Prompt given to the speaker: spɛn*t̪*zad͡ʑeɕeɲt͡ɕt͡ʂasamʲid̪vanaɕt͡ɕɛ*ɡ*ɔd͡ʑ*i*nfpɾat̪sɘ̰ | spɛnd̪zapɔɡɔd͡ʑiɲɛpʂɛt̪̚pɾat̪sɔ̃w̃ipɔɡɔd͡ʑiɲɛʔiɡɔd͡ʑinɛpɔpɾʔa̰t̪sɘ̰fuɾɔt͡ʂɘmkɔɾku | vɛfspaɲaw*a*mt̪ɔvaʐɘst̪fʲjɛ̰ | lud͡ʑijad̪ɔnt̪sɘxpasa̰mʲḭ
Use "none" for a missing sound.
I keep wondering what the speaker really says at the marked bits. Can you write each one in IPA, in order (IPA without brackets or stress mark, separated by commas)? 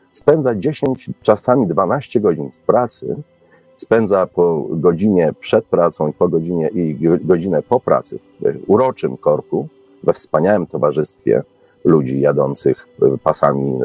d̪, ɡ, i, ɛ